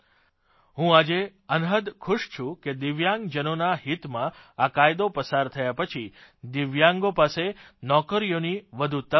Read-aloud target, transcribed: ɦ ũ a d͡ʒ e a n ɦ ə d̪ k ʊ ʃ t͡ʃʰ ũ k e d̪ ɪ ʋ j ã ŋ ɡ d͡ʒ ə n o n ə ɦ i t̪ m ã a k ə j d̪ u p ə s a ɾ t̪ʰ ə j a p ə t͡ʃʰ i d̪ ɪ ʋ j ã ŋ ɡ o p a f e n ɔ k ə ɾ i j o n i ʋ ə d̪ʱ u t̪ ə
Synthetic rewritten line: ɦ ũ a d͡ʒ e ə n ɦ ə d̪ kʰ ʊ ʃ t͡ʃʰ ũ k e d̪ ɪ ʋ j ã ŋ ɡ d͡ʒ ə n o n a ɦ i t̪ m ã a k a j d̪ o p ə s a ɾ t̪ʰ ə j a p ə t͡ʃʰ i d̪ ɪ ʋ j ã ŋ ɡ o p a s e n ɔ k ə ɾ i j o n i ʋ ə d̪ʱ u t̪ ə